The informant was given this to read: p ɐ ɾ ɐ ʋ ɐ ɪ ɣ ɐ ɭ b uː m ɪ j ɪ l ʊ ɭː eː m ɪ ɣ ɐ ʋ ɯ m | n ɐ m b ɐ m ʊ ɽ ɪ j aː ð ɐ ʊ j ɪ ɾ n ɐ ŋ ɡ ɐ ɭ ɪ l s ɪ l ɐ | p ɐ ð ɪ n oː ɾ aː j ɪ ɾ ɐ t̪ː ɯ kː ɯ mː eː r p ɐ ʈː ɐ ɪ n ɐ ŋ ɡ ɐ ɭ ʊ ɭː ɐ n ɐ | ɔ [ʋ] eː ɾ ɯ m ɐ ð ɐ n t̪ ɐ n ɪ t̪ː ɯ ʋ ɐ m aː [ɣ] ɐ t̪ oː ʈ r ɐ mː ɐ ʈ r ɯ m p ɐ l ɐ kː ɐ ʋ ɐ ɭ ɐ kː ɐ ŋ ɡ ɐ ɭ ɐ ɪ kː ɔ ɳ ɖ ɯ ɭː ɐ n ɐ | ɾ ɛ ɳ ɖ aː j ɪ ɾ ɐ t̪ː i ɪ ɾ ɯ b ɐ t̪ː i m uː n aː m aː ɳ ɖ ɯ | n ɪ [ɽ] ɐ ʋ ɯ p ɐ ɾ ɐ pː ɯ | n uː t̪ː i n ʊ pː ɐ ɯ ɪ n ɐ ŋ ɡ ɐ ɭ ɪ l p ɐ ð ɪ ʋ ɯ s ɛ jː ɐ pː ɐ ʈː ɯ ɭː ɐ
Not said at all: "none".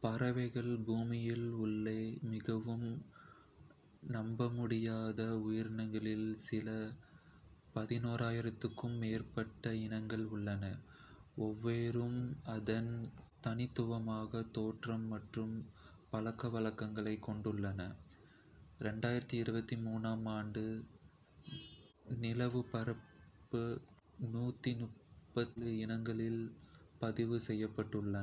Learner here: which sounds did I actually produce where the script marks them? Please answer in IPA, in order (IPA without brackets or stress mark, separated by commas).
ʋː, ɣ, l